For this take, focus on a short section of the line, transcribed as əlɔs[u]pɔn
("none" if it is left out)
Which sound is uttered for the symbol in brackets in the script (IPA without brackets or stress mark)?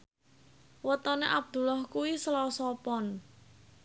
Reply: ɔ